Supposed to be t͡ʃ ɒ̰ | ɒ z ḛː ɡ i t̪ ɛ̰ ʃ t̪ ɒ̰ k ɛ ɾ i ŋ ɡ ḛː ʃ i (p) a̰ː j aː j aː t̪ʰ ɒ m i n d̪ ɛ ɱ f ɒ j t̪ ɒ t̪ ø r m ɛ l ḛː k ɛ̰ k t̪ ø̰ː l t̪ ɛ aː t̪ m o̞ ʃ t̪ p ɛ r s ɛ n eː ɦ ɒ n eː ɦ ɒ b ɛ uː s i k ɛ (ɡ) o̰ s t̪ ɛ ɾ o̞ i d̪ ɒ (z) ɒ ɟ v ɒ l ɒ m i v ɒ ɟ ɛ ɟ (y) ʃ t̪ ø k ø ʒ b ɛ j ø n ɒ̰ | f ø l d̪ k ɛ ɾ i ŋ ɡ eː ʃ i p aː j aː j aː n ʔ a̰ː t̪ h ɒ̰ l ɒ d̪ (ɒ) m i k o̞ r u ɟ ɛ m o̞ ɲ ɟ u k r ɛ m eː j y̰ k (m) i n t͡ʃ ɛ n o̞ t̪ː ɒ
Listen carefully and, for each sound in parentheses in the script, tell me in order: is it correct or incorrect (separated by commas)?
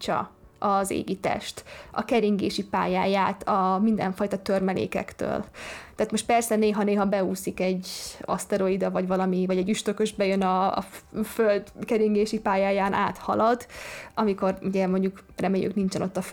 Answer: correct, incorrect, incorrect, correct, correct, incorrect